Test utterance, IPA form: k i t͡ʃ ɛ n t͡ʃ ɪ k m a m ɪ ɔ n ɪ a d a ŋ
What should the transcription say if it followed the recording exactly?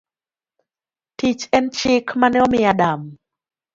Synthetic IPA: t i t͡ʃ ɛ n t͡ʃ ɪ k m a n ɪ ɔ m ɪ a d a m